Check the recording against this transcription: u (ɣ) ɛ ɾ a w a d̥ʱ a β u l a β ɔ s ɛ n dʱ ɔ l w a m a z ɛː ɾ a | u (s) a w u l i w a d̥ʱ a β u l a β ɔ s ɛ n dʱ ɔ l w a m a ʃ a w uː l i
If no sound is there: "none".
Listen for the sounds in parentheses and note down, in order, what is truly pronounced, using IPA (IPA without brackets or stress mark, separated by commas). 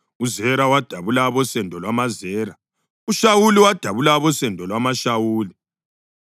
z, ʃ